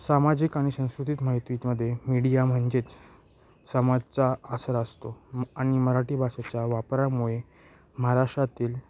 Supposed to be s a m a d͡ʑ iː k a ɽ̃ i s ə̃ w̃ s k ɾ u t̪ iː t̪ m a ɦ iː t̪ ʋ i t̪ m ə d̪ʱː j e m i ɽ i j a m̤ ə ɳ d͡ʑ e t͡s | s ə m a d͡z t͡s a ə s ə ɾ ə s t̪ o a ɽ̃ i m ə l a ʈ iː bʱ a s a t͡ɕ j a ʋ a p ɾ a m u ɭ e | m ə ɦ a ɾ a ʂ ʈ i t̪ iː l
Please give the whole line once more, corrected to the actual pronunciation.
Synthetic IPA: s a m a d͡ʑ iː k a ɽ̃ i s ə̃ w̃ s k ɾ u t̪ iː t̪ m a ɦ i t̪ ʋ i t̪ m ə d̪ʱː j e m i ɽ i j a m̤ ə ɳ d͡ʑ e t͡s | s ə m a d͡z t͡s a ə s ə ɾ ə s t̪ o a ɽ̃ i m ə ɾ a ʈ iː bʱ a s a t͡ɕ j a ʋ a p ɾ a m u ɭ e | m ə ɦ a ɾ a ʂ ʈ a t̪ iː l